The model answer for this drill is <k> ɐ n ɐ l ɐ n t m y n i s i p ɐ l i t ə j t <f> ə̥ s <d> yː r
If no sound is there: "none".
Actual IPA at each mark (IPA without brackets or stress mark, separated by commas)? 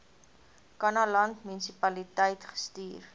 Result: k, χ, t